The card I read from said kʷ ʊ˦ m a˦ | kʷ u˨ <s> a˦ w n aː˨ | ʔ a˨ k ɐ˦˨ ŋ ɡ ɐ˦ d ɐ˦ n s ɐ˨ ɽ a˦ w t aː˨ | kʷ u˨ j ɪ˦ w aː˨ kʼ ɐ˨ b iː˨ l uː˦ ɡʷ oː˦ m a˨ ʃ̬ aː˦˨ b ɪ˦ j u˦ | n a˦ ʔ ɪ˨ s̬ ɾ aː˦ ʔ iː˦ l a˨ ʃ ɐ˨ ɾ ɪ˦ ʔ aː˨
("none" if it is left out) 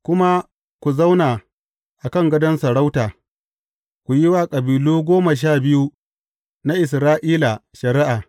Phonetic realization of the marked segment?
z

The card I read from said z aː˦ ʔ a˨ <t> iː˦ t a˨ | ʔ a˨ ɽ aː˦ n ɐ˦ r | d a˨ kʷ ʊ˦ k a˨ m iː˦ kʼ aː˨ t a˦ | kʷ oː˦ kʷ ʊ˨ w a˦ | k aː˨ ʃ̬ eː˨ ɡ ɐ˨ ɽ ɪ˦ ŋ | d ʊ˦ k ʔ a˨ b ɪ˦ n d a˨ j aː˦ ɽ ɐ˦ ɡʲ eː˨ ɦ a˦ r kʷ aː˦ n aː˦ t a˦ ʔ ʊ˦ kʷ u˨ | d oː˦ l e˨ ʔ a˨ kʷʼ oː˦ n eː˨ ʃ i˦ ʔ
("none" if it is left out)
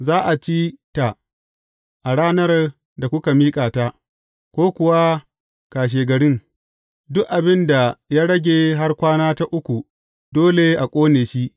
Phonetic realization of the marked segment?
t͡ʃ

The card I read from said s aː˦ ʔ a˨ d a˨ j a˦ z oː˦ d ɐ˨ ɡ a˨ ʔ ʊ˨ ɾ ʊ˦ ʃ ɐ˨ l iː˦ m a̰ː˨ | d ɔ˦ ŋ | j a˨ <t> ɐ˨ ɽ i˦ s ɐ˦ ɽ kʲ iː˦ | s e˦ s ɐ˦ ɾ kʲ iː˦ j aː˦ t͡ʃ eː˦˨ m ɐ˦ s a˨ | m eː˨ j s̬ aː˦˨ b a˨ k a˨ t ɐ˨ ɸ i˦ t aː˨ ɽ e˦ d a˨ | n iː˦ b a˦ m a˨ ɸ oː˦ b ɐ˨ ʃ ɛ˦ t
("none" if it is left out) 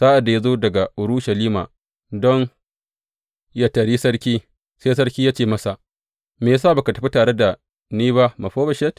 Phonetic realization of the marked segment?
t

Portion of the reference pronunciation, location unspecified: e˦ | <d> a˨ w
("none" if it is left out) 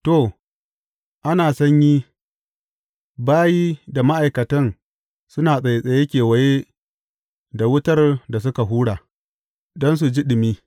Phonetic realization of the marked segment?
d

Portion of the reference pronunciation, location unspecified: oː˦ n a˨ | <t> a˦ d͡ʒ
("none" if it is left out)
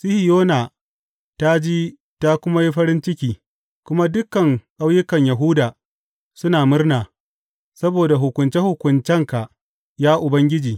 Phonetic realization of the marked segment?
t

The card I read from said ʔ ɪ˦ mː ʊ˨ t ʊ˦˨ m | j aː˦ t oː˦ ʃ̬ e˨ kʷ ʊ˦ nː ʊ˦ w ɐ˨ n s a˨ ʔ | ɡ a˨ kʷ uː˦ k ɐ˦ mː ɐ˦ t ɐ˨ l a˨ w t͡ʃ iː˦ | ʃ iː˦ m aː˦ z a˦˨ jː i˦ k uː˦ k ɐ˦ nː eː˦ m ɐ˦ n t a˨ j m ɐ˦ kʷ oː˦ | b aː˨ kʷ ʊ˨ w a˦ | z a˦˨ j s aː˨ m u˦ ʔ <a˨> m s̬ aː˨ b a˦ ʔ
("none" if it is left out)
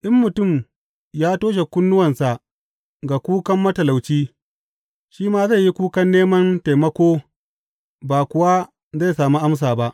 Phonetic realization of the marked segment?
a˦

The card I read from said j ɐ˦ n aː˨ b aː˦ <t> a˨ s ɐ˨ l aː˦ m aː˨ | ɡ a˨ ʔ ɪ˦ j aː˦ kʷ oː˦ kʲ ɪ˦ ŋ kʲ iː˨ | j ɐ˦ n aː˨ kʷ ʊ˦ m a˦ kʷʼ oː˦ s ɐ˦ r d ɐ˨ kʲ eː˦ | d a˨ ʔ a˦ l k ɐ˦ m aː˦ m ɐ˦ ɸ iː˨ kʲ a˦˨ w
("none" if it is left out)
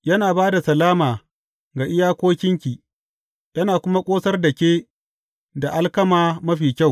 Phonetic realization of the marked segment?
d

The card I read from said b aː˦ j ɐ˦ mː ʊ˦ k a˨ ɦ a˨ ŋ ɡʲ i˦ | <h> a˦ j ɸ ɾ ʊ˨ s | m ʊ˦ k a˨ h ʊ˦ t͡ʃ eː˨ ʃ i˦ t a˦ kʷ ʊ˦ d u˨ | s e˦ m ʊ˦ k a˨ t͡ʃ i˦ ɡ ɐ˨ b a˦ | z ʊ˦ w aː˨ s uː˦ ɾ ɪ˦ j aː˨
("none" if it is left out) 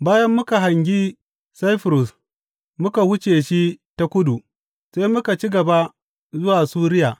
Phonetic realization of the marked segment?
s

